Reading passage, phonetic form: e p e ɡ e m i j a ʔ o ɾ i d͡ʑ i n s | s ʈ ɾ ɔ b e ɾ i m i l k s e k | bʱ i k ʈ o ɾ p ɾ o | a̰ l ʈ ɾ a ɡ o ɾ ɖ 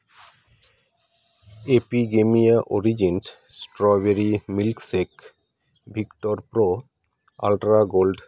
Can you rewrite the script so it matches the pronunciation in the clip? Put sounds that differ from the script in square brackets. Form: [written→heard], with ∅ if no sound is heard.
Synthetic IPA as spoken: e p [e→i] ɡ e m i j a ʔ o ɾ i d͡ʑ i n s | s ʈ ɾ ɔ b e ɾ i m i l k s e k | bʱ i k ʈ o ɾ p ɾ o | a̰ l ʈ ɾ a ɡ o [ɾ→l] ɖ